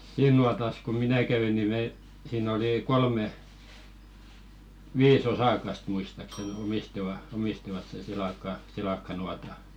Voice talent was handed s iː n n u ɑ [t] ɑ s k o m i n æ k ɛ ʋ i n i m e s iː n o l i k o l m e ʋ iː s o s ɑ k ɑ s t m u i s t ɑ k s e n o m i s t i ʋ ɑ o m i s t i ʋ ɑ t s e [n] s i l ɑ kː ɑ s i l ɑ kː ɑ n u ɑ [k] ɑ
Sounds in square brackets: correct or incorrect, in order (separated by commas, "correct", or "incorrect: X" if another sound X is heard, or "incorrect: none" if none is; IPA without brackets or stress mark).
correct, correct, incorrect: t